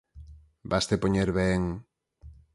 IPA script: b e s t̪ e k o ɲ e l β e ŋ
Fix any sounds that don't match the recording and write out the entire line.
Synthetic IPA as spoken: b a s t̪ e p o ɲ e ɾ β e ŋ